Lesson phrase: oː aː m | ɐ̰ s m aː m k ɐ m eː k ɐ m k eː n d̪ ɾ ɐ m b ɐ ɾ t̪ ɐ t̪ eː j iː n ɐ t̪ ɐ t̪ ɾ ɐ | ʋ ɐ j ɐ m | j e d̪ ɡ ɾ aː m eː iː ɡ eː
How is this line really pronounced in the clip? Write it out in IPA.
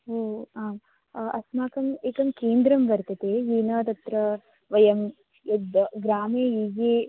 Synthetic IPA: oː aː m | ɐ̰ s m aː k ɐ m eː k ɐ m k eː n d̪ ɾ ɐ m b ɐ ɾ t̪ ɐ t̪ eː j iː n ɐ t̪ ɐ t̪ ɾ ɐ | ʋ ɐ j ɐ m | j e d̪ ɡ ɾ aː m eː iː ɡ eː